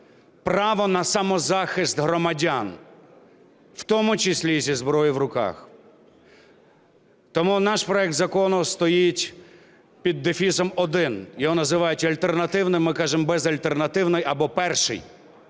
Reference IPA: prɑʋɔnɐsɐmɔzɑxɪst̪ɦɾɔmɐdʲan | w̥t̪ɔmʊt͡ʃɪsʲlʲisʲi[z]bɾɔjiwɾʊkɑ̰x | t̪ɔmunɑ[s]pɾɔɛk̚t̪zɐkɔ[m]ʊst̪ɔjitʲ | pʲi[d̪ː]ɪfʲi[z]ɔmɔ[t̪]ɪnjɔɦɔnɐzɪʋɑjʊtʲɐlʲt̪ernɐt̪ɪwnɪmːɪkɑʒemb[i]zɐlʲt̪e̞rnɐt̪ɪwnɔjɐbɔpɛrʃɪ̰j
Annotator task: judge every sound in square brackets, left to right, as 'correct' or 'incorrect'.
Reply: correct, incorrect: ʃ, incorrect: n, correct, incorrect: s, incorrect: d̪, incorrect: ɛ

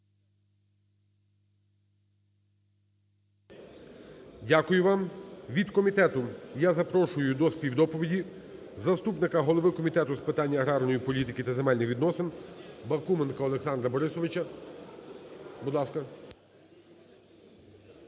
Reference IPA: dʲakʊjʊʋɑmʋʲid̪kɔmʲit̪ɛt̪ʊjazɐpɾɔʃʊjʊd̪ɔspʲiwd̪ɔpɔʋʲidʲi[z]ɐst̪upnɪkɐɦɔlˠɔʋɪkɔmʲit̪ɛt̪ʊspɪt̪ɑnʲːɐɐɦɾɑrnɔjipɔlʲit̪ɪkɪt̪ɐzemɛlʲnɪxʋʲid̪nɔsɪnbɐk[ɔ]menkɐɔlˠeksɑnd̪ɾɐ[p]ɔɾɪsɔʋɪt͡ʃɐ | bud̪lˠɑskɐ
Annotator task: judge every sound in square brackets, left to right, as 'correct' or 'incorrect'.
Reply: correct, incorrect: u, incorrect: b

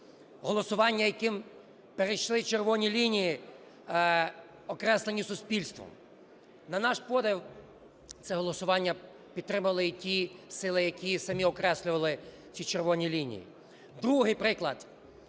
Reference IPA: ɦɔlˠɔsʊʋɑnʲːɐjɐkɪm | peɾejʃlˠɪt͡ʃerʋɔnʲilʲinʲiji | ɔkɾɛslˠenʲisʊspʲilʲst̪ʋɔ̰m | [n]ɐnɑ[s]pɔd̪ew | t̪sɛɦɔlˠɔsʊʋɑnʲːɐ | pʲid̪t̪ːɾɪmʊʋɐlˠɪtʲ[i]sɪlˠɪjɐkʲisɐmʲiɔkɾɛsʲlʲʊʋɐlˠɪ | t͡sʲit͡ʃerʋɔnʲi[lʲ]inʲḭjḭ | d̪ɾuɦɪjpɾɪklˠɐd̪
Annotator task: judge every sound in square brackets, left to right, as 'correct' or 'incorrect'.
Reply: correct, incorrect: ʃ, correct, correct

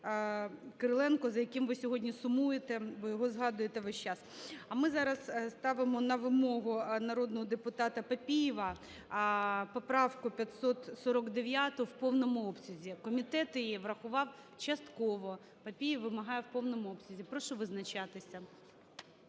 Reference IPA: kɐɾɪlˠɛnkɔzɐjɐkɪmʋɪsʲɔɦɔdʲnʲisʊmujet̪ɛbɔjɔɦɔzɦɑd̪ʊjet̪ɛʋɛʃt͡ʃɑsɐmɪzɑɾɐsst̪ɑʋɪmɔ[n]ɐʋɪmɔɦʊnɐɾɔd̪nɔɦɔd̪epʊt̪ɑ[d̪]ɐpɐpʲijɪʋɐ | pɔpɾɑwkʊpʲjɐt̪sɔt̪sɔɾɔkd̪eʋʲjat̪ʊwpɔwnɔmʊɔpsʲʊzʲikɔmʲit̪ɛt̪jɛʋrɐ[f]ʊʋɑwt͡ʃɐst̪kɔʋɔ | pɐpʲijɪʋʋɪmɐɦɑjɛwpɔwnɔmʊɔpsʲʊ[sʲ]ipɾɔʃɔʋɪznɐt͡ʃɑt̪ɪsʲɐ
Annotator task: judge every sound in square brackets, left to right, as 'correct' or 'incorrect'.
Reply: correct, incorrect: t̪, incorrect: x, incorrect: zʲ

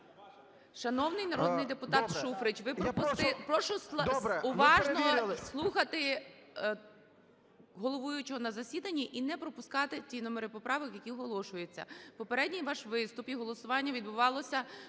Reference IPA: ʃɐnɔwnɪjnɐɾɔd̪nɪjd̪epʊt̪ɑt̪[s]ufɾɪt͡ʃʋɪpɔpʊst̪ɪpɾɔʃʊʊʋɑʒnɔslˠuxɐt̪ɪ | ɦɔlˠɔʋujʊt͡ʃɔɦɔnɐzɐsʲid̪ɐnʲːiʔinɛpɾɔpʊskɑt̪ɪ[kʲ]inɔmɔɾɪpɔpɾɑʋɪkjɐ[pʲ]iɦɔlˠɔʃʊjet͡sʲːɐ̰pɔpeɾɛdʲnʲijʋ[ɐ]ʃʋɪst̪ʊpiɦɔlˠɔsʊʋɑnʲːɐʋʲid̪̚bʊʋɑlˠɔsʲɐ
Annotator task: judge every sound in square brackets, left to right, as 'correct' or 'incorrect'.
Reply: incorrect: ʃ, incorrect: tʲ, incorrect: kʲ, incorrect: ɑ

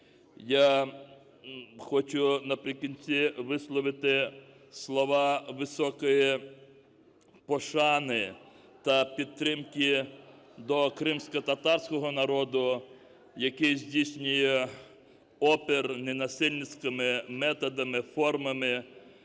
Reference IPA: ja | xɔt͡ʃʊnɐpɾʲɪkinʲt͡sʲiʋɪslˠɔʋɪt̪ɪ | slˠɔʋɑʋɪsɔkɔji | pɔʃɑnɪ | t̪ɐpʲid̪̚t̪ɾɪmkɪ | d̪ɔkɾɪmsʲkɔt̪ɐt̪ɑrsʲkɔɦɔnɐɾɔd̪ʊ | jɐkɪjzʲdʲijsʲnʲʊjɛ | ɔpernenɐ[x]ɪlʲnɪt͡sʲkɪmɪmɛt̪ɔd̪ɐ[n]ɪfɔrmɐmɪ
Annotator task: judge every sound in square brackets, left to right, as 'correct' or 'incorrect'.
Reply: incorrect: s, incorrect: m

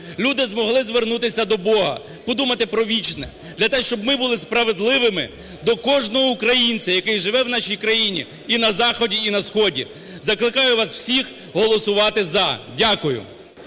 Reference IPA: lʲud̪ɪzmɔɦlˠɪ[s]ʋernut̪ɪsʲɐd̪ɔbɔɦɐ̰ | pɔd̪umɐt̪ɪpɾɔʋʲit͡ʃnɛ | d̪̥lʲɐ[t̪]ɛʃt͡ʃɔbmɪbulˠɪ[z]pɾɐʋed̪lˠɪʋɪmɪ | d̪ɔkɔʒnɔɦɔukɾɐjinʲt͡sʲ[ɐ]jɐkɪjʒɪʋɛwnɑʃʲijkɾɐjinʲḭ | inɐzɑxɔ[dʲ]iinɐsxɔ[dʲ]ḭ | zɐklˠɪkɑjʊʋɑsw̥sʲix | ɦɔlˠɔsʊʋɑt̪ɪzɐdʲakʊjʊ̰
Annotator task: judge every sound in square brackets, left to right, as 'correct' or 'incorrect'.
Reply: incorrect: z, correct, incorrect: s, correct, correct, correct

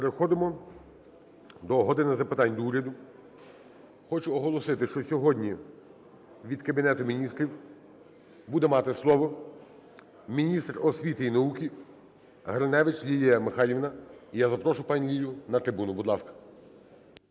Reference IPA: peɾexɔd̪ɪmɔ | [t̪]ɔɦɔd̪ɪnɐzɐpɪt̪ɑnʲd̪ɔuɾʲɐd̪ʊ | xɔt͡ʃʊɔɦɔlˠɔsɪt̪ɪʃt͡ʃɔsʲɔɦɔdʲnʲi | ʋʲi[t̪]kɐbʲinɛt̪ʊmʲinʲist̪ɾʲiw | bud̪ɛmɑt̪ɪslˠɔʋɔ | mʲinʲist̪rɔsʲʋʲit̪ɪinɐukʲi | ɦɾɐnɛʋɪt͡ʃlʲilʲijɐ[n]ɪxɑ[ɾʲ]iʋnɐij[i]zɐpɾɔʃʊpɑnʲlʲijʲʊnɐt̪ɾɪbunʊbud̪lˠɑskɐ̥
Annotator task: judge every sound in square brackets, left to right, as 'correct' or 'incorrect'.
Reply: incorrect: d̪, incorrect: d̪, incorrect: m, incorrect: lʲ, incorrect: a

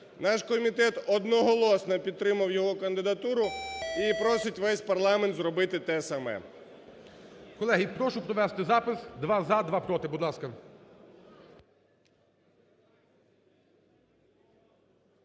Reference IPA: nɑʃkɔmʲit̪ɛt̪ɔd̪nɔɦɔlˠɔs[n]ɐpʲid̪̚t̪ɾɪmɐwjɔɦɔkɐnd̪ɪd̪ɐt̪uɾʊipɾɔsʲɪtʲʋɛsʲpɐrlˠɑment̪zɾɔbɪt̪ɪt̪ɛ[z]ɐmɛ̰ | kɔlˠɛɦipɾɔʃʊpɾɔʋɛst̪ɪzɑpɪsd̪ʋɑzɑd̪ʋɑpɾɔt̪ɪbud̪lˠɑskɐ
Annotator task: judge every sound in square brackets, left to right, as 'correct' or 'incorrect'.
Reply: correct, incorrect: s

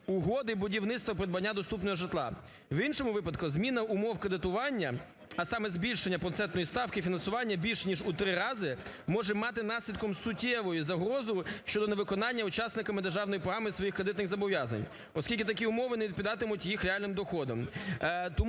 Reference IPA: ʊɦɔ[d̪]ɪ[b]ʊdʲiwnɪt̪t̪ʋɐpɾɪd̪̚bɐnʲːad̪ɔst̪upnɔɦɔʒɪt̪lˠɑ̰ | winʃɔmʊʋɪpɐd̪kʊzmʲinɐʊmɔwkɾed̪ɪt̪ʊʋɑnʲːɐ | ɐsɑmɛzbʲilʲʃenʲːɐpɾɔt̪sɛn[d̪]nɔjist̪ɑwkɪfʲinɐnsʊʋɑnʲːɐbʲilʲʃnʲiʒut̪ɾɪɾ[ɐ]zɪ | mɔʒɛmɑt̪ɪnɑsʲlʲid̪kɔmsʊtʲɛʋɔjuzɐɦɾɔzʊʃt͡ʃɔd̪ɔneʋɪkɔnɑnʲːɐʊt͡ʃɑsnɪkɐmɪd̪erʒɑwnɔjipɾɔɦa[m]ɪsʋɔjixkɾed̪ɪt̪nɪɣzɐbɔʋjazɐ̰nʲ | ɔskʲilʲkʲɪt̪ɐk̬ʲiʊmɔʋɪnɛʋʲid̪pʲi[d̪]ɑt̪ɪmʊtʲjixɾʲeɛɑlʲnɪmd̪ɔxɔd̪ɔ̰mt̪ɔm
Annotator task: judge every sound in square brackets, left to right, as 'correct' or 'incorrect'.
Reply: correct, correct, incorrect: t̪, incorrect: ɑ, correct, correct

